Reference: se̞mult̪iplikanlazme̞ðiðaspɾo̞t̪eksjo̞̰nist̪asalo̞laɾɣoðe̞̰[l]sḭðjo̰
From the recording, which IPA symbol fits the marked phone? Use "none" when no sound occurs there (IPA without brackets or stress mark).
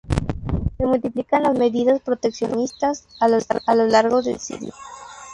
l